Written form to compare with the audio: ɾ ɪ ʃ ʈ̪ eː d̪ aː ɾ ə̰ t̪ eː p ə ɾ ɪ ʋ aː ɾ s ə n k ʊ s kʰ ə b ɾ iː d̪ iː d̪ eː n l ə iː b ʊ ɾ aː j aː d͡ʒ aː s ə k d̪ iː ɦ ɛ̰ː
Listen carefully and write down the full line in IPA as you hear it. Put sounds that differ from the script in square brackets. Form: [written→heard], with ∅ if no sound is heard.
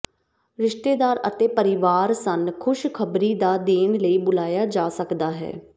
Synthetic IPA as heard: ɾ ɪ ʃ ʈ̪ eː d̪ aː ɾ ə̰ t̪ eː p ə ɾ ɪ ʋ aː ɾ s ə n [k→kʰ] ʊ [s→ʃ] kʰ ə b ɾ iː d̪ [iː→aː] d̪ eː n l ə iː b ʊ [ɾ→l] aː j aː d͡ʒ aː s ə k d̪ [iː→aː] ɦ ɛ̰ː